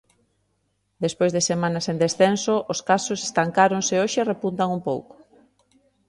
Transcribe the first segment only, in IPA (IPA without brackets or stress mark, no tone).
d̪